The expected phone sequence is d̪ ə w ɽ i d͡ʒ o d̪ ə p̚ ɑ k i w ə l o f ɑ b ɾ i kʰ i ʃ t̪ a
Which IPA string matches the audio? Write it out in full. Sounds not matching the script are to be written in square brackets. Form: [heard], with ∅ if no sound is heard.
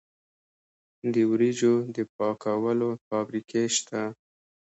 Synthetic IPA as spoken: d̪ ə w [ɾ] i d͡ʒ o d̪ ə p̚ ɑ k [a] w ə l o f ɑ b ɾ i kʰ [e] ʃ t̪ a